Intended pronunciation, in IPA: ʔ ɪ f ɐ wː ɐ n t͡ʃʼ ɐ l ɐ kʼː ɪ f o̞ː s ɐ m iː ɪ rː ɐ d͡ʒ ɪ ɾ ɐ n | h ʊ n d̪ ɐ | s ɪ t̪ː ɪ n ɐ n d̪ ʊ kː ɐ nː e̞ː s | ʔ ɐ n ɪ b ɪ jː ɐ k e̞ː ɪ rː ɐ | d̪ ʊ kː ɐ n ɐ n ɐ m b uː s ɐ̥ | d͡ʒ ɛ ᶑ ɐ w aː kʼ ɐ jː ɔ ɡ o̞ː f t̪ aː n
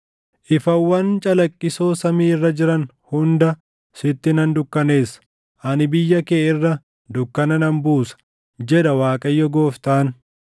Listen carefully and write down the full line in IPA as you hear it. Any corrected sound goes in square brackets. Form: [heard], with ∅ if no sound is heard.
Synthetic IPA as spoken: ʔ ɪ f ɐ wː ɐ n t͡ʃʼ ɐ l ɐ kʼː ɪ [s] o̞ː s ɐ m iː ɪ rː ɐ d͡ʒ ɪ ɾ ɐ n | h ʊ n d̪ ɐ | s ɪ t̪ː ɪ n ɐ n d̪ ʊ kː ɐ [n] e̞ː s | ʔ ɐ n ɪ b ɪ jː ɐ k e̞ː ɪ rː ɐ | d̪ ʊ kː ɐ n ɐ n ɐ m b uː s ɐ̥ | d͡ʒ ɛ ᶑ ɐ w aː kʼ ɐ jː ɔ ɡ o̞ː f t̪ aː n

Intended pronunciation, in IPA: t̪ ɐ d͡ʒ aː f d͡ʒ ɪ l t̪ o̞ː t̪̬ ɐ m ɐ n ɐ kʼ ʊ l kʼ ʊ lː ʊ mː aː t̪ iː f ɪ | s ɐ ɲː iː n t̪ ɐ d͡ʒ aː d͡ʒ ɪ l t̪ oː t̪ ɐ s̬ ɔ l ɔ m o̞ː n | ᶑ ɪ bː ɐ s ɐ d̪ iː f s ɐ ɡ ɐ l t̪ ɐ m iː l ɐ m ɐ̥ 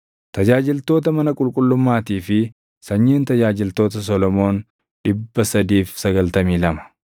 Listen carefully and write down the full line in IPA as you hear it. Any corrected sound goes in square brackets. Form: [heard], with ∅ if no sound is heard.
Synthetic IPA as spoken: t̪ ɐ d͡ʒ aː [∅] d͡ʒ ɪ l t̪ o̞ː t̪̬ ɐ m ɐ n ɐ kʼ ʊ l kʼ ʊ lː ʊ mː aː t̪ iː f ɪ | s ɐ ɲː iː n t̪ ɐ d͡ʒ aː d͡ʒ ɪ l t̪ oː t̪ ɐ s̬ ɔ l ɔ m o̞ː n | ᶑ ɪ bː ɐ s ɐ d̪ iː f s ɐ ɡ ɐ l t̪ ɐ m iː l ɐ m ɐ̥

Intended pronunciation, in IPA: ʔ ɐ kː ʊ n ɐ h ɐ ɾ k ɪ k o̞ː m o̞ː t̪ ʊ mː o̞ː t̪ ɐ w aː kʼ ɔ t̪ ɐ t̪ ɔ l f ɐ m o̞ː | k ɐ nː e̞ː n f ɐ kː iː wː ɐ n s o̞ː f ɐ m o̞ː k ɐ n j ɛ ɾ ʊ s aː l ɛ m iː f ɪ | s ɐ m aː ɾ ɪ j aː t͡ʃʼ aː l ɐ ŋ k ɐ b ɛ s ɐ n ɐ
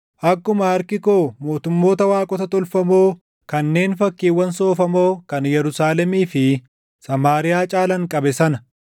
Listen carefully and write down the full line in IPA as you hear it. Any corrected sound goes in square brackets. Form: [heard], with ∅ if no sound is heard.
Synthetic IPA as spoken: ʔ ɐ kː ʊ [m] ɐ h ɐ ɾ k ɪ k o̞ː m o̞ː t̪ ʊ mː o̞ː t̪ ɐ w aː kʼ ɔ t̪ ɐ t̪ ɔ l f ɐ m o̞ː | k ɐ nː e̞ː n f ɐ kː iː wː ɐ n s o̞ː f ɐ m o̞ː k ɐ n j ɛ ɾ ʊ s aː l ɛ m iː f ɪ | s ɐ m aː ɾ ɪ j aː t͡ʃʼ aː l ɐ ŋ [kʼ] ɐ b ɛ s ɐ n ɐ

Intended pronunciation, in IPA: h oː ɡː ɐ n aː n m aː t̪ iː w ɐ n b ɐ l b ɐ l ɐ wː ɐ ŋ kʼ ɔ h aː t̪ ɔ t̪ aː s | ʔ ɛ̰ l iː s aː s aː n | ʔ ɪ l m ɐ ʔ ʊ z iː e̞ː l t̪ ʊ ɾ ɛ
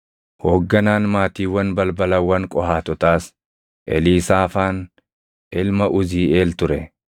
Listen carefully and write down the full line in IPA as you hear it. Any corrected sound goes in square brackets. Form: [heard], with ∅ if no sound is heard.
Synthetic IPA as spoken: h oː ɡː ɐ n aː n m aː t̪ iː w ɐ n b ɐ l b ɐ l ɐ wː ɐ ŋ kʼ ɔ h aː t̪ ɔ t̪ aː s | ʔ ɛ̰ l iː s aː [f] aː n | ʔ ɪ l m ɐ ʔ ʊ z iː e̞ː l t̪ ʊ ɾ ɛ

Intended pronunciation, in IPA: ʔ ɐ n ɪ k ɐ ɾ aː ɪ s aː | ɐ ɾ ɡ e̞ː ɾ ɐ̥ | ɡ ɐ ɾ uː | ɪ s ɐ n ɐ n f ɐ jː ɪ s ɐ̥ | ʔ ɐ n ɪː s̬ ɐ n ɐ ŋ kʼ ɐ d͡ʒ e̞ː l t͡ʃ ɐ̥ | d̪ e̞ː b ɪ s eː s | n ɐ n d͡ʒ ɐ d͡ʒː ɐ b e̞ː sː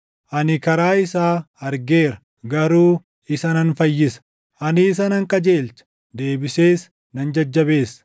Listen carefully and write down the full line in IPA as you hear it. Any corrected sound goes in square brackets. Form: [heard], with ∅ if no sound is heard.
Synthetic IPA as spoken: ʔ ɐ n ɪ k ɐ ɾ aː ɪ s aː | ɐ ɾ ɡ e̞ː ɾ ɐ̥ | ɡ ɐ ɾ uː | ɪ s ɐ n ɐ n f ɐ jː ɪ s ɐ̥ | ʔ ɐ n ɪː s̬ ɐ n ɐ ŋ kʼ ɐ d͡ʒ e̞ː l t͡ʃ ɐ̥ | d̪ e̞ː b ɪ s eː s | n ɐ n d͡ʒ ɐ d͡ʒː ɐ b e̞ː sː

